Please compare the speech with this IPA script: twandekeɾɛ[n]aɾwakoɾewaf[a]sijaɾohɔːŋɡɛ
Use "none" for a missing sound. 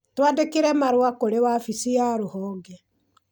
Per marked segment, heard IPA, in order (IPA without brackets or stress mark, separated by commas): m, i